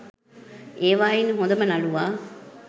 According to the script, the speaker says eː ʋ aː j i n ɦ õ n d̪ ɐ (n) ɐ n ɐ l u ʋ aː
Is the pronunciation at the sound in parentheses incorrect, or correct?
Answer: incorrect